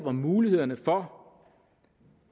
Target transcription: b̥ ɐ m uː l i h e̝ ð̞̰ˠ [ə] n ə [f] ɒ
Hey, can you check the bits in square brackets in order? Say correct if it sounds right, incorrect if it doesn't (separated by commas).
incorrect, correct